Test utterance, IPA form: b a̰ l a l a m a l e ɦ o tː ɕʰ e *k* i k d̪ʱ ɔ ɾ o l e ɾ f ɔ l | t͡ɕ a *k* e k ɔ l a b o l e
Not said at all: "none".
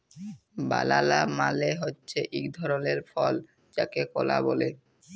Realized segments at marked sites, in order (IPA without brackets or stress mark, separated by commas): ʔ, k